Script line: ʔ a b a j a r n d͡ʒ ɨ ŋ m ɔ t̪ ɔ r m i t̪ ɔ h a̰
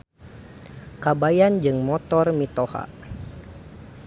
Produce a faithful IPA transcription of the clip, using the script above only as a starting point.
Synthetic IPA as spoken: k a b a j a n d͡ʒ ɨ ŋ m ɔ t̪ ɔ r m i t̪ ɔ h a̰